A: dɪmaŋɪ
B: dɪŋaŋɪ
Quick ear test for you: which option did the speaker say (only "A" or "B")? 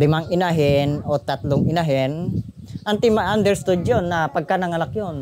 A